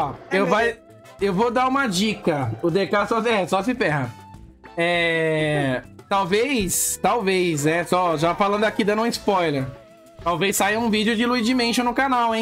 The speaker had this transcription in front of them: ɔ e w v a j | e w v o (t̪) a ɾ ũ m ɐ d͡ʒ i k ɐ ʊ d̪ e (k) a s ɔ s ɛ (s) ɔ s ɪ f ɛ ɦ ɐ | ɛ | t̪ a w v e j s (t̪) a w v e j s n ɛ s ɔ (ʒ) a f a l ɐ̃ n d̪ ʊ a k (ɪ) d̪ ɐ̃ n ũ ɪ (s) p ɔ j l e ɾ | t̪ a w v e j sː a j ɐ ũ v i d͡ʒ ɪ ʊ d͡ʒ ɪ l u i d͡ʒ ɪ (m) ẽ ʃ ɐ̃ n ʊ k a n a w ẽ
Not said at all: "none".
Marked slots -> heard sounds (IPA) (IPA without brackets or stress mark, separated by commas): d̪, k, s, t̪, ʒ, i, s, m